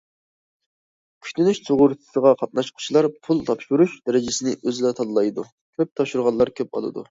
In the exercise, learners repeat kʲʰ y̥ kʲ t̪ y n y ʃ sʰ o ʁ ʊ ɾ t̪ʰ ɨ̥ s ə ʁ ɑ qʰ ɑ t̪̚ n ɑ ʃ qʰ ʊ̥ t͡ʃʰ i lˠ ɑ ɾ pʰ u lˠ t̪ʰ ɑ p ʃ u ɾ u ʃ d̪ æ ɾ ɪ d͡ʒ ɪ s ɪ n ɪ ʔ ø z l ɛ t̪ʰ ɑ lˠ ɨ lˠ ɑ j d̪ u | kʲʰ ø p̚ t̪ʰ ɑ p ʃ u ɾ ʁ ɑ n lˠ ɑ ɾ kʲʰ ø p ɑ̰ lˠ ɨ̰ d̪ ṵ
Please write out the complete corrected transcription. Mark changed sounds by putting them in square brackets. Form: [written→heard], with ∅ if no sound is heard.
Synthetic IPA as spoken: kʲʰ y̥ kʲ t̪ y n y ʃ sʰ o ʁ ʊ ɾ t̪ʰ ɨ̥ s ə ʁ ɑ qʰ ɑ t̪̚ n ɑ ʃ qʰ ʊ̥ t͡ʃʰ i lˠ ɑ ɾ pʰ u lˠ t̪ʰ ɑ p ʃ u ɾ u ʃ d̪ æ ɾ ɪ d͡ʒ ɪ s ɪ n ɪ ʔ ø z l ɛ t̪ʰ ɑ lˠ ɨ lˠ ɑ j d̪ u | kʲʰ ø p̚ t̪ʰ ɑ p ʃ u ɾ ʁ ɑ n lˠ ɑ ɾ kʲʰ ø p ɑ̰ lˠ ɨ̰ d̪ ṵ